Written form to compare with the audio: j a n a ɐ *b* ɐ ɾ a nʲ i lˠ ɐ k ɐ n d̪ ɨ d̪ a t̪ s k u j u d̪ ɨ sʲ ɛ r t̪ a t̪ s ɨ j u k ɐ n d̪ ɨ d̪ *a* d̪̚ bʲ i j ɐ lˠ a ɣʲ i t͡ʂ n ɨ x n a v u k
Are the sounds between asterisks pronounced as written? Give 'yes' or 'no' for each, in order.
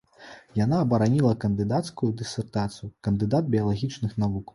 yes, yes

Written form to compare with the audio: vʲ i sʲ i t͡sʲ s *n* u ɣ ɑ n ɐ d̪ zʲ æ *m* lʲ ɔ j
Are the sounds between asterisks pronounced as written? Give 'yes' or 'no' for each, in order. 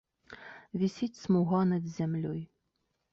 no, yes

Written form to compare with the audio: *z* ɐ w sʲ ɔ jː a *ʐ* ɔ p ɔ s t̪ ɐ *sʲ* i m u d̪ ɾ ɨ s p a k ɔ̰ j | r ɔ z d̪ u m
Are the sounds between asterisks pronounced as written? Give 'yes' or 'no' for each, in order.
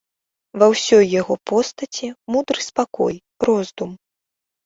no, no, no

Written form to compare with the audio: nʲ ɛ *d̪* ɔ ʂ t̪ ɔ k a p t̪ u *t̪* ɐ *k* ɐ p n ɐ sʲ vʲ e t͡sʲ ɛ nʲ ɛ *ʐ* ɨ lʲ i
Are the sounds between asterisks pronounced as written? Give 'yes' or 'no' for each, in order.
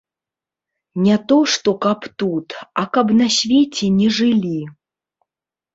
no, yes, yes, yes

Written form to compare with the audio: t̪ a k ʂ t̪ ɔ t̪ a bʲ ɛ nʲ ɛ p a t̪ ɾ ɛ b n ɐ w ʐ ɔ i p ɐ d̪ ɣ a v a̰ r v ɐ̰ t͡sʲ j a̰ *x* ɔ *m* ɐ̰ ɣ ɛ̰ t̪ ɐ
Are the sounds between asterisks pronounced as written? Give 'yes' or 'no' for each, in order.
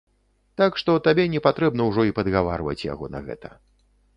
no, no

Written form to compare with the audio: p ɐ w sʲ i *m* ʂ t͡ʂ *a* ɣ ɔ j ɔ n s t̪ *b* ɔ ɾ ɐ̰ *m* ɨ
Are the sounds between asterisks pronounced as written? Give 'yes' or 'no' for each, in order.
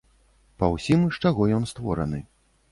yes, yes, no, no

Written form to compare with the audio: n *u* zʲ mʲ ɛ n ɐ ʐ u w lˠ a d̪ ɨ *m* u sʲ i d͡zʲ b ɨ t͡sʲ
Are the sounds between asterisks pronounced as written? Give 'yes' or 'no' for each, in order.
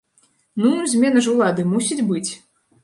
yes, yes

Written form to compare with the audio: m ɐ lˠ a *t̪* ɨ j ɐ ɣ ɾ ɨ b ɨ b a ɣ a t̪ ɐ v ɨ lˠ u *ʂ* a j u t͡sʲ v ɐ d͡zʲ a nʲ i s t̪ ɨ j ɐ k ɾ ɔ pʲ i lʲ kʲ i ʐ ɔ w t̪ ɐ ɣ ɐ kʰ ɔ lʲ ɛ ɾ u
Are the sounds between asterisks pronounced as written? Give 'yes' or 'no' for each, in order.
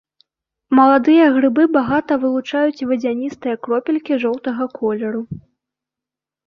no, no

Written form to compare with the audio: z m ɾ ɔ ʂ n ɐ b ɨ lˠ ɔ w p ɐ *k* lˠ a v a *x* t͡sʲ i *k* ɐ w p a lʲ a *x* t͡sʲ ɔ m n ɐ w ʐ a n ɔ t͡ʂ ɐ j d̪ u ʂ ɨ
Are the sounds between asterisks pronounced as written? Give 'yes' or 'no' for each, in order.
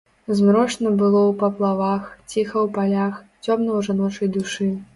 no, yes, no, yes

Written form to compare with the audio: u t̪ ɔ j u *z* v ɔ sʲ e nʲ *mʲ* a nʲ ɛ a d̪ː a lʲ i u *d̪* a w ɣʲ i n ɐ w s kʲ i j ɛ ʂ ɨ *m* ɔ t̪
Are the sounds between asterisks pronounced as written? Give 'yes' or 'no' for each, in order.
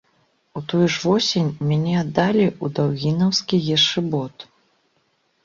no, yes, yes, no

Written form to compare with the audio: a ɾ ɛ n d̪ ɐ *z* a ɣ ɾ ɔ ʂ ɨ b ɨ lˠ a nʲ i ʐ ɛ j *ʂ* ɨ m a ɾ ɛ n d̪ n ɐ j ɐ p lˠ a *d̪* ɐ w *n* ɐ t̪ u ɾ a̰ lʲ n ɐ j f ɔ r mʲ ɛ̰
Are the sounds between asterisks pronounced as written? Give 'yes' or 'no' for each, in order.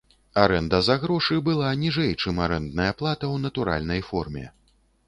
yes, no, no, yes

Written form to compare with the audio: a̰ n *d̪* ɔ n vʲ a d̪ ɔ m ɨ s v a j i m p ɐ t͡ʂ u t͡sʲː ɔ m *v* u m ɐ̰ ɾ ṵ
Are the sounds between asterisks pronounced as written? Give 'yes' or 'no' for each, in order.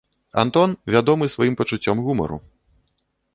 no, no

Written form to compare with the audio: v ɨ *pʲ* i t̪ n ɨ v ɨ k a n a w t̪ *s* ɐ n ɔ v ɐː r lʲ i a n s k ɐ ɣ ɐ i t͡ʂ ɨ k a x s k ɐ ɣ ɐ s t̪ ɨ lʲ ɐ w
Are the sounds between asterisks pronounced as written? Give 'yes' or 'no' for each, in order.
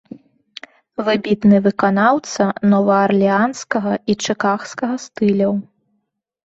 no, yes

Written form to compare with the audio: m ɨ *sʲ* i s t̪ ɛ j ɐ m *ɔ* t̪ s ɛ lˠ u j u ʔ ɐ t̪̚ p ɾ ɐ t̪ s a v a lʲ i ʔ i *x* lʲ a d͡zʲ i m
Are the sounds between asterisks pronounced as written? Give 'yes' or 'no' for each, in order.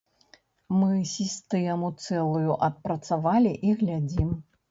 yes, no, no

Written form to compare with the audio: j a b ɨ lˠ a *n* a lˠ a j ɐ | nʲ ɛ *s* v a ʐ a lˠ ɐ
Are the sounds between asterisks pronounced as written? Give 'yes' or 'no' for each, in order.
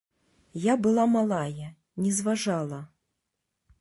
no, no

